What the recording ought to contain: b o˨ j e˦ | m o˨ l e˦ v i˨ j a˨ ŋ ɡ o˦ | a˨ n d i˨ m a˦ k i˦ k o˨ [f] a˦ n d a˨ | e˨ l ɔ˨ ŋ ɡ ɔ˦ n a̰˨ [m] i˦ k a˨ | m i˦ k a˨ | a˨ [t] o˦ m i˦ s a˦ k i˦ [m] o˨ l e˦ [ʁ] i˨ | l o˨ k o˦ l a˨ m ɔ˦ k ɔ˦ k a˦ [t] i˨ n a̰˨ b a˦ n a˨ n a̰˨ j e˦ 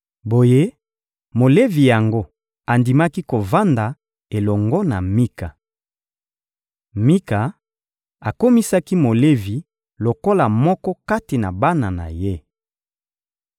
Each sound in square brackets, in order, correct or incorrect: incorrect, correct, incorrect, correct, incorrect, correct

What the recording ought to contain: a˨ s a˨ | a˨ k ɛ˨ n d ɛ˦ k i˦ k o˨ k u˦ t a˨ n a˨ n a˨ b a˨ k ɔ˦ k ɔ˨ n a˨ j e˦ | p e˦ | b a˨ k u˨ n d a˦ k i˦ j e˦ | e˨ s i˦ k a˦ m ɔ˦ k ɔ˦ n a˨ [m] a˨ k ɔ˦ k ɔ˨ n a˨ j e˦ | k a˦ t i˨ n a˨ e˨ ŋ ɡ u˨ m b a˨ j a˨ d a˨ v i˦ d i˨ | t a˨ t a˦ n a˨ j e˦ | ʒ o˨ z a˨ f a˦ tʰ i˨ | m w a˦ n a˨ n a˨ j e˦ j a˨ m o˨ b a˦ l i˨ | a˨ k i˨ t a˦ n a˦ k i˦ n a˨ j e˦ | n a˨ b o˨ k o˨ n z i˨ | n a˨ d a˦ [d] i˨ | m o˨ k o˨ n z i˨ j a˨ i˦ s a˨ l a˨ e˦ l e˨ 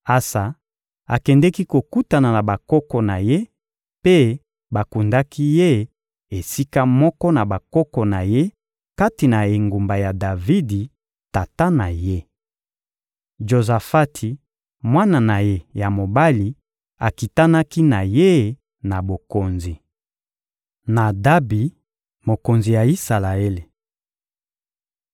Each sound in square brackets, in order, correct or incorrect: incorrect, incorrect

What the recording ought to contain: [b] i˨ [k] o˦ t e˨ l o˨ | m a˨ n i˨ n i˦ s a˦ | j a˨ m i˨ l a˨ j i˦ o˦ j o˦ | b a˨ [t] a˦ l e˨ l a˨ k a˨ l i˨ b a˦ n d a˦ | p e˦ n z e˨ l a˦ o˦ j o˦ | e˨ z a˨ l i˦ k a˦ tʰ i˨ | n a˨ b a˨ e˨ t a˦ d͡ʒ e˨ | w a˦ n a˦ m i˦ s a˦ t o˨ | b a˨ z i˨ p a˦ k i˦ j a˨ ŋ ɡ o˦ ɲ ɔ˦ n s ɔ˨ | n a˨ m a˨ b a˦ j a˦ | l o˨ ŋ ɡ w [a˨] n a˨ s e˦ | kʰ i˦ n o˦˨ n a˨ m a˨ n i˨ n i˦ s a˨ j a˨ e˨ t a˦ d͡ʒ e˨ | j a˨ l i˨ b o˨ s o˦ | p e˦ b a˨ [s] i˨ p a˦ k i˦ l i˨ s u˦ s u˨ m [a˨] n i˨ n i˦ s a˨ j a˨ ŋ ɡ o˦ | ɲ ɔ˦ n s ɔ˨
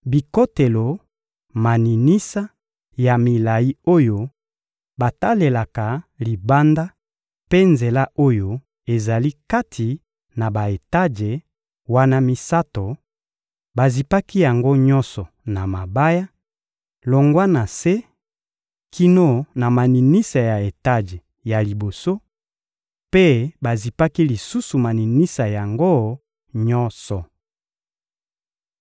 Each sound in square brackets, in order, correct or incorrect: correct, correct, correct, incorrect, incorrect, correct

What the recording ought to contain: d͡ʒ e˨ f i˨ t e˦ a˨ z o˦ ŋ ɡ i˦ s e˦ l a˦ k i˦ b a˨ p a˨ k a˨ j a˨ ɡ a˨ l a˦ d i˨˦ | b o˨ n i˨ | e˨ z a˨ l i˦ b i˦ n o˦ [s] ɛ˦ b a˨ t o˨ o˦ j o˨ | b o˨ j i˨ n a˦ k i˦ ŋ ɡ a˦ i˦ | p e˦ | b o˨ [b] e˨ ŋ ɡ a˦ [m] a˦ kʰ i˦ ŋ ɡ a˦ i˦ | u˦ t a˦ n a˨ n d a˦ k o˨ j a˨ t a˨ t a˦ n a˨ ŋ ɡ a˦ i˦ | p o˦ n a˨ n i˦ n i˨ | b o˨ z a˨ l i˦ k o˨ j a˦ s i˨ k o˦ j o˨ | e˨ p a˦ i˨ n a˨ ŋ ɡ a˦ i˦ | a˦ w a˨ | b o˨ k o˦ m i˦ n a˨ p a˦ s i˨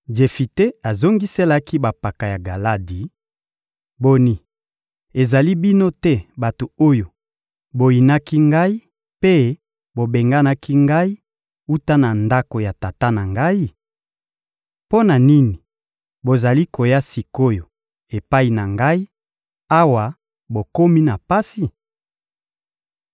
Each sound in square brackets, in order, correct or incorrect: incorrect, correct, incorrect

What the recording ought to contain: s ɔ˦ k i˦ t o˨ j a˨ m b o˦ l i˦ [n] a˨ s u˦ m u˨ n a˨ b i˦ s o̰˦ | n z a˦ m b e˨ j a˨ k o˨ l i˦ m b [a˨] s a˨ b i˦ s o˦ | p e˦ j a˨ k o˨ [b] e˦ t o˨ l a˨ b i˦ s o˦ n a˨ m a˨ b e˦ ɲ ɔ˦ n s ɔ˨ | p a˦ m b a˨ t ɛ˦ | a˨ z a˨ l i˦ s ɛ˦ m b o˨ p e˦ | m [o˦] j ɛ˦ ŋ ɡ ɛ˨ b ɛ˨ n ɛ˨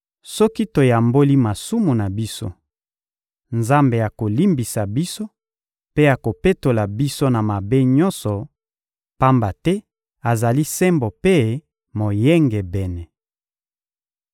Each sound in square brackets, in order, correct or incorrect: incorrect, incorrect, incorrect, incorrect

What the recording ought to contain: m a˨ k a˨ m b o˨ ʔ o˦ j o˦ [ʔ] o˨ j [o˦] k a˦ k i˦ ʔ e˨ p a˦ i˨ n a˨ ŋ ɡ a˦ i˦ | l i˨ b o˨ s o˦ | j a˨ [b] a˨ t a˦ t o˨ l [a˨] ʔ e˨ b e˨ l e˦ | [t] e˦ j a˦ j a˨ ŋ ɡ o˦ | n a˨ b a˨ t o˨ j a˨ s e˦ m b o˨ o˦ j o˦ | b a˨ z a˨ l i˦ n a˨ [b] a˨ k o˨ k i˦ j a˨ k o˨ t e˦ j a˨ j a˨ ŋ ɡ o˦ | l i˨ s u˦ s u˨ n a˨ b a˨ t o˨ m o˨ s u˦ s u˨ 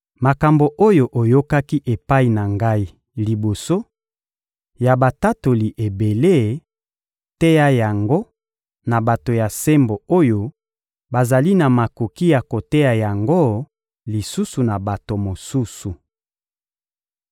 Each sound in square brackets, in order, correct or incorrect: correct, correct, correct, incorrect, correct, incorrect

